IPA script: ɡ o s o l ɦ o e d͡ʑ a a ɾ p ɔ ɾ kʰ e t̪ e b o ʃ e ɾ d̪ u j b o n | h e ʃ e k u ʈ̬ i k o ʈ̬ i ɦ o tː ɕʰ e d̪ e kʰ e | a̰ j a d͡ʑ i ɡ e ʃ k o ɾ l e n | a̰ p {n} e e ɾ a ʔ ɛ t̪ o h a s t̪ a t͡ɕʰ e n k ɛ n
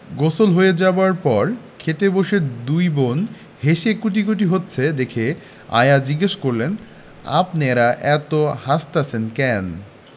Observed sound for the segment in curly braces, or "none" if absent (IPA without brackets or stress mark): n